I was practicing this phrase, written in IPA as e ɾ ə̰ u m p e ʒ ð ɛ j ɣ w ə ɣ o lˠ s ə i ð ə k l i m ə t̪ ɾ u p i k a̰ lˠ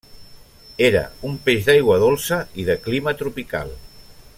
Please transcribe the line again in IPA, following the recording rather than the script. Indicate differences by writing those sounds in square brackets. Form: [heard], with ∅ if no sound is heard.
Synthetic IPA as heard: e ɾ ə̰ u m p e ʒ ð [a] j ɣ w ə [ð] o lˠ s ə i ð ə k l i m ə t̪ ɾ u p i k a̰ lˠ